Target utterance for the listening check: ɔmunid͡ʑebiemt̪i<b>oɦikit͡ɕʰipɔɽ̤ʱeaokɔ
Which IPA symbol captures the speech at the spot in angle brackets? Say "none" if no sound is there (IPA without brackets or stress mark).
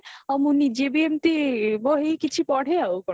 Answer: b